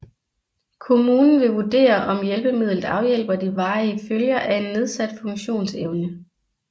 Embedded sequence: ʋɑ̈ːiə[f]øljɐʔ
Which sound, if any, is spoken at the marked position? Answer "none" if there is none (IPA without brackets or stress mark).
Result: f